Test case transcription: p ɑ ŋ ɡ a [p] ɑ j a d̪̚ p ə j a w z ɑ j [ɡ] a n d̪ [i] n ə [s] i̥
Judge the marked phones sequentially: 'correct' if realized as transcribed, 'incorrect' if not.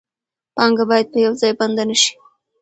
incorrect, incorrect, incorrect, incorrect

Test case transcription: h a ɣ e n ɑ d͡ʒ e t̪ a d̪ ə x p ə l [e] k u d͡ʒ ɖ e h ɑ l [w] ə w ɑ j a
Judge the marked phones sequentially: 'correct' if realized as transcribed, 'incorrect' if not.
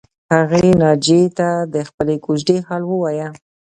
correct, correct

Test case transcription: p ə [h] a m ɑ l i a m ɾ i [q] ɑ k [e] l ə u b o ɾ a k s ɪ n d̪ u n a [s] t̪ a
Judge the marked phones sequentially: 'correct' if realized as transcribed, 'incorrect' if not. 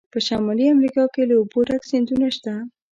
incorrect, incorrect, correct, incorrect

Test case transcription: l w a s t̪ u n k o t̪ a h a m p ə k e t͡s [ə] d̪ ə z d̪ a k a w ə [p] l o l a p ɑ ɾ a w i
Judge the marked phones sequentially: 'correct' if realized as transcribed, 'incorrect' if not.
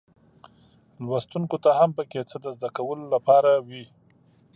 correct, incorrect

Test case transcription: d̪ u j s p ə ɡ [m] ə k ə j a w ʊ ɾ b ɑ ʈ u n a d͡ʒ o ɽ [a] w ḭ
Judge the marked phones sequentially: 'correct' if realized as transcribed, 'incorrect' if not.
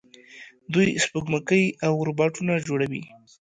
correct, correct

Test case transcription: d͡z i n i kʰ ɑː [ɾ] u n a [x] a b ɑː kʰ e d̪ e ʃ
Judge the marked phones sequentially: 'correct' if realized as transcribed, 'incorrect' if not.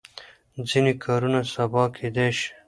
correct, incorrect

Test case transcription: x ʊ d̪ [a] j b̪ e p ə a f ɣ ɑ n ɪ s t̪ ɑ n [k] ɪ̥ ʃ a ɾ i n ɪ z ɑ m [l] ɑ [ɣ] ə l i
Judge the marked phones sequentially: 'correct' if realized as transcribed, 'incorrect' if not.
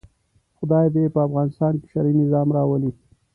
incorrect, correct, incorrect, incorrect

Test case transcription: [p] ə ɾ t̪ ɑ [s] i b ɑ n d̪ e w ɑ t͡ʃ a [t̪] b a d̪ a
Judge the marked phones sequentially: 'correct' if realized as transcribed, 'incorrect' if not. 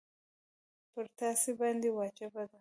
correct, correct, incorrect

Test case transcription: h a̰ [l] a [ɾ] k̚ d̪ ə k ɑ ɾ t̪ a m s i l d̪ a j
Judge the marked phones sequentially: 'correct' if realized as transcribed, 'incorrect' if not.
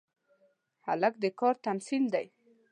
correct, incorrect

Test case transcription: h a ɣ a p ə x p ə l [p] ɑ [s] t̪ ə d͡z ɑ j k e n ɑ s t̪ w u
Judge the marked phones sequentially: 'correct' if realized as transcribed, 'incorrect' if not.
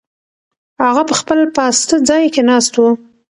correct, correct

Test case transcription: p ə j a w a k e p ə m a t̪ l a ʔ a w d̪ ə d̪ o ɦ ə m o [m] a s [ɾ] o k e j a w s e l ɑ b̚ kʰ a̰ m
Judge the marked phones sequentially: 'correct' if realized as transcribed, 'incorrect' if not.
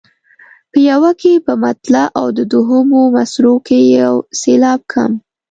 correct, correct

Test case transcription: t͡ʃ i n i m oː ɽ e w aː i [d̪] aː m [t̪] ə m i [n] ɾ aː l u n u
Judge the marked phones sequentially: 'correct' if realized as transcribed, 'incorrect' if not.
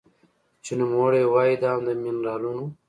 correct, incorrect, correct

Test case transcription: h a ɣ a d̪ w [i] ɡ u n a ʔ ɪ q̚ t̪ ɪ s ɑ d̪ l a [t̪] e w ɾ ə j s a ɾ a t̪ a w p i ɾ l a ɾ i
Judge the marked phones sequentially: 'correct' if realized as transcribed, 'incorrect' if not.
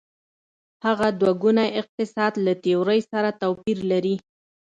incorrect, correct

